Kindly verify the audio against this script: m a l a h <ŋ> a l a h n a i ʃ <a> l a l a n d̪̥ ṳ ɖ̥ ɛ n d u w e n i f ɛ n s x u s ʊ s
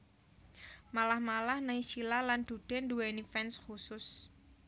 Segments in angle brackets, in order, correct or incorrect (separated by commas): incorrect, incorrect